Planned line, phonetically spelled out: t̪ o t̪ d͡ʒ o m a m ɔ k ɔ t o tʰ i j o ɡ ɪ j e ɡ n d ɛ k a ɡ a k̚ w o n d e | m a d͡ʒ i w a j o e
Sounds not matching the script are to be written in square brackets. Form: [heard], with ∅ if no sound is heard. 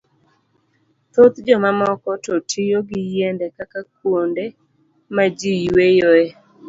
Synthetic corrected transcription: t̪ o t̪ d͡ʒ [ɔ] m a m ɔ k ɔ t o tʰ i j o ɡ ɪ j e [∅] n d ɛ k a [k] a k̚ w o n d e | m a d͡ʒ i w [e] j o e